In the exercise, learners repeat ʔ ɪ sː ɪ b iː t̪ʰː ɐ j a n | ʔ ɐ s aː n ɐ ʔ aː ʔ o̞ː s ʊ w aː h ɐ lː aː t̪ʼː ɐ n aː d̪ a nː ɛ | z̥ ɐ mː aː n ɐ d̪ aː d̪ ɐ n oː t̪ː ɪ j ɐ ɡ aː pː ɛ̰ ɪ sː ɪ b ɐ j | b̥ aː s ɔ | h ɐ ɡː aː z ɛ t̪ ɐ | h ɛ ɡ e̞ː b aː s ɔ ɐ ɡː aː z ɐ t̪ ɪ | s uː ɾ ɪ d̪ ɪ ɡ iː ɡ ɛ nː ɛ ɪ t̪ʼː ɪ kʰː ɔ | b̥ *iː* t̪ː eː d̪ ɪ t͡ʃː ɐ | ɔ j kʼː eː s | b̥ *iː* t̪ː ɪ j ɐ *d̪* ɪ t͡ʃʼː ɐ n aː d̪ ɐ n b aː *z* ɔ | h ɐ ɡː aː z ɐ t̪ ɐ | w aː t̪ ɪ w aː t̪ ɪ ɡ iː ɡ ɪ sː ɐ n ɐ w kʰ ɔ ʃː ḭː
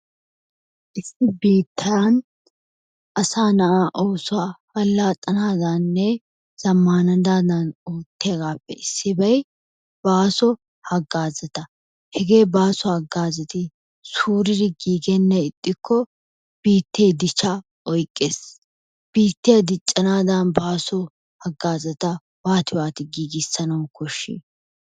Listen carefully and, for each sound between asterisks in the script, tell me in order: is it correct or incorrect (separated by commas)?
correct, correct, correct, incorrect